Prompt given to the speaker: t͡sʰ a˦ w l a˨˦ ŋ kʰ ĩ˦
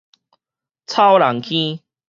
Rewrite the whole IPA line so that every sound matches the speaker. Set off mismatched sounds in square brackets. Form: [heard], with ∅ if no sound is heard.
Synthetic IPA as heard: t͡sʰ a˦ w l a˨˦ ŋ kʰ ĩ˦